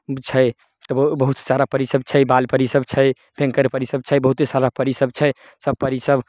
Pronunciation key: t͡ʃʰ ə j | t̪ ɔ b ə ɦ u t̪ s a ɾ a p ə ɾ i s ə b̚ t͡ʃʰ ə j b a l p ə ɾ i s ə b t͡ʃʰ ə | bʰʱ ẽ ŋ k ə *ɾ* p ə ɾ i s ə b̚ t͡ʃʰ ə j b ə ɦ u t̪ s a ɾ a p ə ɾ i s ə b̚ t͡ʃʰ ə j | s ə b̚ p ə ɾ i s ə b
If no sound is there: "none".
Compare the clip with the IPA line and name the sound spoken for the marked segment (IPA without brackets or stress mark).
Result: ɾ